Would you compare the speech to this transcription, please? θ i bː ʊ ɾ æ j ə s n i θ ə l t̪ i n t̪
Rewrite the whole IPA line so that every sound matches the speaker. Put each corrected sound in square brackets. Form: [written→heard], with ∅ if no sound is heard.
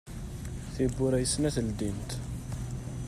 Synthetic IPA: θ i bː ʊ ɾ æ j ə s n [i→æ] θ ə l [t̪→d̪] i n t̪